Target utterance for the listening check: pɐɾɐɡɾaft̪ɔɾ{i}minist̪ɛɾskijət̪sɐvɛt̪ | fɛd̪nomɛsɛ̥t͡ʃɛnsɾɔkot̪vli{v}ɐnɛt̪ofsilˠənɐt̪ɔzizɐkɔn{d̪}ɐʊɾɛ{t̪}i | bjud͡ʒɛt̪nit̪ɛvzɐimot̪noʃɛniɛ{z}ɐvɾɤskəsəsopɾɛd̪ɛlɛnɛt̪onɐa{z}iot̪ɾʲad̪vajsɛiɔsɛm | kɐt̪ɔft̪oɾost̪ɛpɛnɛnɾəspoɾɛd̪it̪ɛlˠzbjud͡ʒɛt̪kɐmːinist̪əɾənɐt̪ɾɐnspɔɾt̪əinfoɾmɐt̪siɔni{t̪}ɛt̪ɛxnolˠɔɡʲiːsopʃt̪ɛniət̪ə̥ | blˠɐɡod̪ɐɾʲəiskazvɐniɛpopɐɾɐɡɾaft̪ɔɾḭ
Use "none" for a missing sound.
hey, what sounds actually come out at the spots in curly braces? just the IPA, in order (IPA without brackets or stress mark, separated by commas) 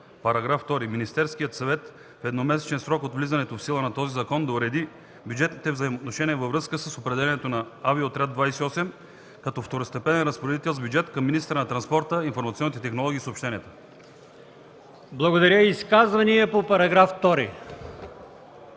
i, z, d̪, d̪, v, v, t̪